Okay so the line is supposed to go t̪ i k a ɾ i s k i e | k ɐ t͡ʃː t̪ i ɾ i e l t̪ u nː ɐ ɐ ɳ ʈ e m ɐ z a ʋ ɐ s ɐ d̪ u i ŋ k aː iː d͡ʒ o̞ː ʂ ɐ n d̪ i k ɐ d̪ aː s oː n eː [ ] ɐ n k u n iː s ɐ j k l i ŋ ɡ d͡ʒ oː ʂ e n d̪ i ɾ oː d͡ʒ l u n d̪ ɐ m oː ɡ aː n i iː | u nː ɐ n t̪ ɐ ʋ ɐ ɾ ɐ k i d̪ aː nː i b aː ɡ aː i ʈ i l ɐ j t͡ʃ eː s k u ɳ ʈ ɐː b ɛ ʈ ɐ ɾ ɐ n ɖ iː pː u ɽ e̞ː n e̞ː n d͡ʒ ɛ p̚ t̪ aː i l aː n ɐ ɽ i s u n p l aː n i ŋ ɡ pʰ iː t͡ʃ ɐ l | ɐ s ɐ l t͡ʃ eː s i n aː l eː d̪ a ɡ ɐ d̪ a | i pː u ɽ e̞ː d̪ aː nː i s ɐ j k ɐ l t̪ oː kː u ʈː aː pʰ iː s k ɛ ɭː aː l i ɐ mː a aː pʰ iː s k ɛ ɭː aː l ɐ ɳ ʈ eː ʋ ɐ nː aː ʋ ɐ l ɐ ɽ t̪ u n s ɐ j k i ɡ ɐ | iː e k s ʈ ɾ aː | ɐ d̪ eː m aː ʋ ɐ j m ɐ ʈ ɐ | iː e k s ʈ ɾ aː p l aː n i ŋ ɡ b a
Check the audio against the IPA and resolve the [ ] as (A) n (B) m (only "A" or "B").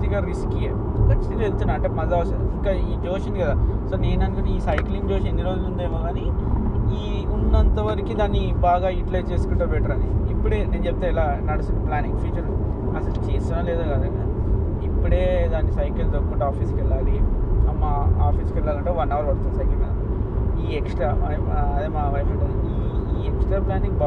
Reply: A